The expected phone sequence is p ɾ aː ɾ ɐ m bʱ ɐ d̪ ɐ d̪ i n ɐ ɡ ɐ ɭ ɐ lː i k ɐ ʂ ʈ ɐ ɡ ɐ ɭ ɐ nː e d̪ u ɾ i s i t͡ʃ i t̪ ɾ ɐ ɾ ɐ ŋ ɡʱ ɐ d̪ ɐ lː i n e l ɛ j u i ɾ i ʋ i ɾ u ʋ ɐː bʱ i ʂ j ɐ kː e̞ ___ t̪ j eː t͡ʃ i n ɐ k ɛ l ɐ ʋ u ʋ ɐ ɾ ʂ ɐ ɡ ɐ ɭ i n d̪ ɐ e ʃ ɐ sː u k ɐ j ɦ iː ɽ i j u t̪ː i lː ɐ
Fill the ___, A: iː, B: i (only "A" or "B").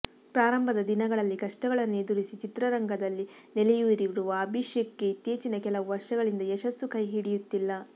B